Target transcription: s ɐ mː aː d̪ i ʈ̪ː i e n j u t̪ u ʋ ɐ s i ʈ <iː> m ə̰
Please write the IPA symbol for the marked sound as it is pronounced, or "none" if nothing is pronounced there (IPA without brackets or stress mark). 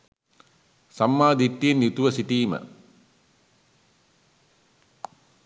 iː